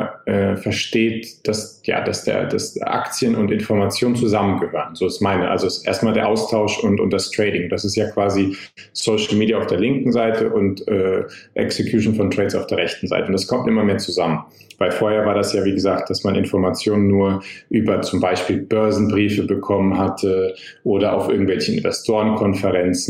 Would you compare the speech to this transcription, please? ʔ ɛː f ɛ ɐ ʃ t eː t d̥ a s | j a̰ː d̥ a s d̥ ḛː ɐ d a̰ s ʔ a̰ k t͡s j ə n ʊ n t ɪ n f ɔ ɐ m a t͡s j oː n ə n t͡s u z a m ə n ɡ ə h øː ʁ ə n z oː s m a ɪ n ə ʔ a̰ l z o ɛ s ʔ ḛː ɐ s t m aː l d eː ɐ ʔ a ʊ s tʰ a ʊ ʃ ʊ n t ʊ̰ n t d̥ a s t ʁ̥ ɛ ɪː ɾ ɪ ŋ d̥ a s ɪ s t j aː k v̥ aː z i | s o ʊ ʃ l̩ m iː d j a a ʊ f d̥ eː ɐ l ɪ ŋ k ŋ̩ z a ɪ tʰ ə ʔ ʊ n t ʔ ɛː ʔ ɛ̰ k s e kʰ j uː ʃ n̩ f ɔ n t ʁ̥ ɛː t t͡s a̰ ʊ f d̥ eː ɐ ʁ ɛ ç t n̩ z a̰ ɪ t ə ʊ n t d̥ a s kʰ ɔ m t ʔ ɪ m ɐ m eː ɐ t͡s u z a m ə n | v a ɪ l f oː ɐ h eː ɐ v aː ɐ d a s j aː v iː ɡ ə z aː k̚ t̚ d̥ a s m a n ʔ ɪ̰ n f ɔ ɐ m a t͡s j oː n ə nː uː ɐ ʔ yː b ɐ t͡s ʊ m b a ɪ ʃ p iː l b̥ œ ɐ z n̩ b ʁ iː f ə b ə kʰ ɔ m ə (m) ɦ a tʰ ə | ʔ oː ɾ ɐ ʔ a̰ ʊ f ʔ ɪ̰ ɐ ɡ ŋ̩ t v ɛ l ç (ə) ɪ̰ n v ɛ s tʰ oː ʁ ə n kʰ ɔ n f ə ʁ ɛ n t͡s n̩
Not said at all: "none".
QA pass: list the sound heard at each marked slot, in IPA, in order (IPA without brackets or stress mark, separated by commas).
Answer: n, ə